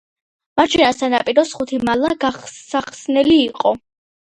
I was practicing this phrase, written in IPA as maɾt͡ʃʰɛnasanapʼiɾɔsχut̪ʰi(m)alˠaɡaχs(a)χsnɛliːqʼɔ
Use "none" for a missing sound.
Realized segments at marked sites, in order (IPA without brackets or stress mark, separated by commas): m, a